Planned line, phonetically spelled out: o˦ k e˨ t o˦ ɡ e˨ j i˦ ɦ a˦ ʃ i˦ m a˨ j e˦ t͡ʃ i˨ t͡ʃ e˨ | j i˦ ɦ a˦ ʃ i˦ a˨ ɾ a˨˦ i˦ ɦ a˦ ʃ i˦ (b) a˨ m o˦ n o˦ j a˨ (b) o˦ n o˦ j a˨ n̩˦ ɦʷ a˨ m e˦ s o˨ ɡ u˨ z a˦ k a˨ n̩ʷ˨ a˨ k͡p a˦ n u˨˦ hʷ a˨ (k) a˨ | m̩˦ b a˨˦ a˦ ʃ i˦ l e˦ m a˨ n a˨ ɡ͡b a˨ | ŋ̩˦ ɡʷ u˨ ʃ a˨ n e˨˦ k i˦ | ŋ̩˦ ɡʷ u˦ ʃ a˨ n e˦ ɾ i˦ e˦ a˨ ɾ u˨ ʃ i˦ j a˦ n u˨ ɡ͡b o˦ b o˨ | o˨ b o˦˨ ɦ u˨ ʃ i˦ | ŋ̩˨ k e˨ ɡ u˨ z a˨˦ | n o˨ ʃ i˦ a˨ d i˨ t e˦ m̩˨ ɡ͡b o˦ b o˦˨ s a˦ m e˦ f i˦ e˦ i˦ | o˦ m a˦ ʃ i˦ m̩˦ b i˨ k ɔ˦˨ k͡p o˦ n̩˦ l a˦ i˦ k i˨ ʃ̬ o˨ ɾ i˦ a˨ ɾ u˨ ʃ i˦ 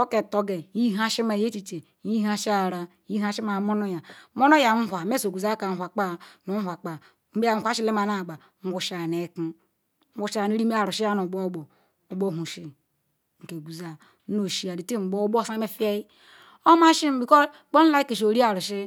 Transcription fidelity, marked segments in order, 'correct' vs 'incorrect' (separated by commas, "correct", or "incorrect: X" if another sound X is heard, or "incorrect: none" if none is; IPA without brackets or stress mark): incorrect: m, incorrect: m, incorrect: k͡p